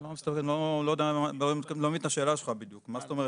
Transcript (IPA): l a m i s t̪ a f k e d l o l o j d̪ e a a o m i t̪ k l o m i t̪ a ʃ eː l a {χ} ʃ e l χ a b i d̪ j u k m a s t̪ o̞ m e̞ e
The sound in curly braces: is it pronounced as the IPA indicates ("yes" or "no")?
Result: no